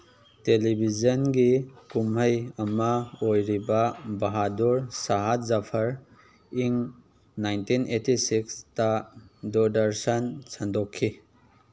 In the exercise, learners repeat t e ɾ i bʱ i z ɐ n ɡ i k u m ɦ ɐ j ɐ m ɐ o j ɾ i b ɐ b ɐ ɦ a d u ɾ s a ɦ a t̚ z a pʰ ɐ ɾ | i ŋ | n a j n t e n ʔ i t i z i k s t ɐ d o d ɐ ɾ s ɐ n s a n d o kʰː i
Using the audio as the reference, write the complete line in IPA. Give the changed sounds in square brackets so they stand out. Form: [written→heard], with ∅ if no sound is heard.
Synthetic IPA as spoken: t e [ɾ→l] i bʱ i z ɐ n ɡ i k u m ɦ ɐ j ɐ m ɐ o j ɾ i b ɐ b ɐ ɦ a d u ɾ s a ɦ a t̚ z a pʰ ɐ ɾ | i ŋ | n a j n t [e→i] n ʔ [i→e] t i [z→s] i k s t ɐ d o d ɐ ɾ s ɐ n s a n d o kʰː i